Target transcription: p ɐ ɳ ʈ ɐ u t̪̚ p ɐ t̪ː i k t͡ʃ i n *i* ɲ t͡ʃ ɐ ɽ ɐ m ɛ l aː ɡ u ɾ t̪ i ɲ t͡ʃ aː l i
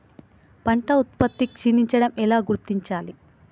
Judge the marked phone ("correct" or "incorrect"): correct